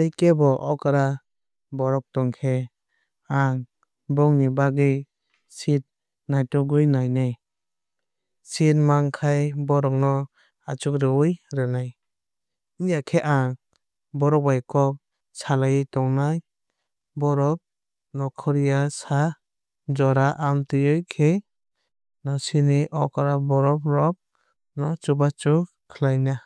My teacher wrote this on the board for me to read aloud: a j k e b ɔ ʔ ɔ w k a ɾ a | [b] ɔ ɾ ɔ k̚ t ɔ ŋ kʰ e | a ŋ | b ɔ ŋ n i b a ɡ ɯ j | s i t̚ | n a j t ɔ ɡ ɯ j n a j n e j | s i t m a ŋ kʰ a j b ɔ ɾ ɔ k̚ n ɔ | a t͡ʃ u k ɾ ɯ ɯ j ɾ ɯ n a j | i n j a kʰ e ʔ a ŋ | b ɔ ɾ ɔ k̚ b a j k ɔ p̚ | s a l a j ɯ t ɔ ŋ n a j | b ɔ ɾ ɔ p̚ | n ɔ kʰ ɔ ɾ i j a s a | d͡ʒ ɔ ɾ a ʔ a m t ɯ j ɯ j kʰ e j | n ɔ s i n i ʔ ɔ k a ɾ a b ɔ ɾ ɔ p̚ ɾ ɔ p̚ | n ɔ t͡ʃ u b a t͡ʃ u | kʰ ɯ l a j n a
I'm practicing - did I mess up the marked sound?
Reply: no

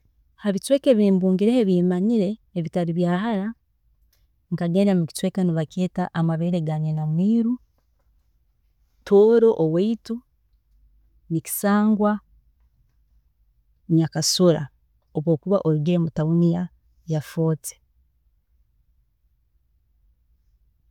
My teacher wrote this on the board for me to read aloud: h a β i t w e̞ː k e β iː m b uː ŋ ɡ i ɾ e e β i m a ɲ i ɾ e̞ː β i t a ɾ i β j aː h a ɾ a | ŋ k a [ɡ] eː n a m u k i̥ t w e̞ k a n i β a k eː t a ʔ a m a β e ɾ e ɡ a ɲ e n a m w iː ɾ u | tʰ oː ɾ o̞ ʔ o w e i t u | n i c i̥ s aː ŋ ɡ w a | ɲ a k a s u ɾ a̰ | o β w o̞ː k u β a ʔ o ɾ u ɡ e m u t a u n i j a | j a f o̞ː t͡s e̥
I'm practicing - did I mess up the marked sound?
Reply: no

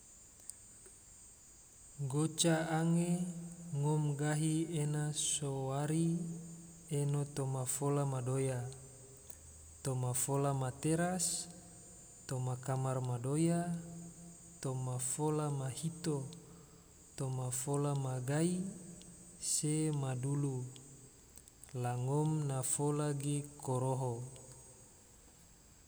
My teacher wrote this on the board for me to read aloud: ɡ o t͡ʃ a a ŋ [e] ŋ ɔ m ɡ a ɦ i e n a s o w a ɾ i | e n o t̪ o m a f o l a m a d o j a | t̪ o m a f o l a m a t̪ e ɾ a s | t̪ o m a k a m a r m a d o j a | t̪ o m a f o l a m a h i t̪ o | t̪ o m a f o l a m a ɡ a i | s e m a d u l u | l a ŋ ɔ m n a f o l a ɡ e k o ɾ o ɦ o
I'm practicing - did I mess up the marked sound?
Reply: no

